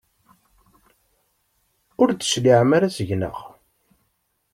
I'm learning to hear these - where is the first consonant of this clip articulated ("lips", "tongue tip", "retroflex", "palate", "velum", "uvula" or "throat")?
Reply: tongue tip